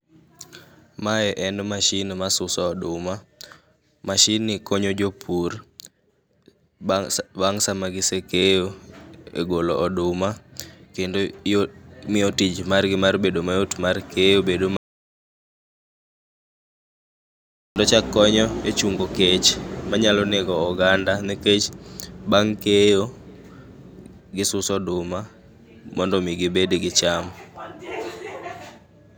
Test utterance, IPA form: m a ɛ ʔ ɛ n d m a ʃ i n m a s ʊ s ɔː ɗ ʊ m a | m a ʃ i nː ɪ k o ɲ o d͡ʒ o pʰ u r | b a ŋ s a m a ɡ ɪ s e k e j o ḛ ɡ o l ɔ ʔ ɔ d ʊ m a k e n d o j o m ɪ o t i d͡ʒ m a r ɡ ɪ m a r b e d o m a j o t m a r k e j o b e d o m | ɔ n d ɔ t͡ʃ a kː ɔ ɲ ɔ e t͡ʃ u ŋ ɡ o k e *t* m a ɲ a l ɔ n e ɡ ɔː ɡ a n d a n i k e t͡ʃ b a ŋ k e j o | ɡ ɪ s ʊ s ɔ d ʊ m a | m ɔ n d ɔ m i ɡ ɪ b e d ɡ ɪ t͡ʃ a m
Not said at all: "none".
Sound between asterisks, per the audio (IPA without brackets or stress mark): t͡ʃ